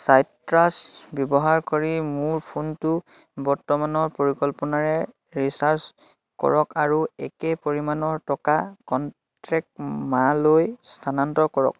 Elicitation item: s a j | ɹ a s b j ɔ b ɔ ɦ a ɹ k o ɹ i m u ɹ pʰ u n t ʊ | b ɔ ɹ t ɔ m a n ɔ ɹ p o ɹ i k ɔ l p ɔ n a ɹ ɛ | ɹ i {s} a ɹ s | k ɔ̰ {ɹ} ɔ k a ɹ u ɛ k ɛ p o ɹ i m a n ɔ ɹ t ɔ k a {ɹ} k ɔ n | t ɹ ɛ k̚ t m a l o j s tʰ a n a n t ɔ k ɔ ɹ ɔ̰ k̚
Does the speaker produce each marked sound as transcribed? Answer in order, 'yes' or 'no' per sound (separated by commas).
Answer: yes, yes, no